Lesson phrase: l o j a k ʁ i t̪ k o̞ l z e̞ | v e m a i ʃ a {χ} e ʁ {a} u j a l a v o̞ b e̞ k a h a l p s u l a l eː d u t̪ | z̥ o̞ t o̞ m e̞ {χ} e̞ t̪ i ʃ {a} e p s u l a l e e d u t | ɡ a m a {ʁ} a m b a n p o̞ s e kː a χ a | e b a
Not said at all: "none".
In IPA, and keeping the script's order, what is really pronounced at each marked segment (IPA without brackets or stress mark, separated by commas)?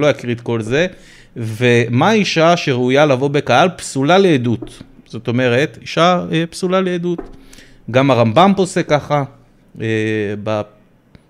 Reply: ʃ, e, ʁ, a, ʁ